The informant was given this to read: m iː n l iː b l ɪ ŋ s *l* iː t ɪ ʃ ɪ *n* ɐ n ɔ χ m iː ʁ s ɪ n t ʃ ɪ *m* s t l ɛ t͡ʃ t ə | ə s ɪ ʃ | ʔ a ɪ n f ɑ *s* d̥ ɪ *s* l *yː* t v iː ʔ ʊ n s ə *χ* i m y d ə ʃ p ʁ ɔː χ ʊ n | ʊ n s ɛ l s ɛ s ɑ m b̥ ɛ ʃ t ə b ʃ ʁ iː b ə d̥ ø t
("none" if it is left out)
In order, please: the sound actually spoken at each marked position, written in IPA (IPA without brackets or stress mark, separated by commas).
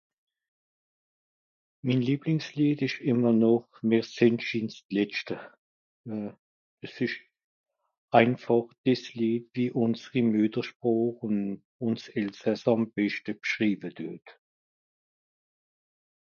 l, m, n, χ, s, iː, ʁ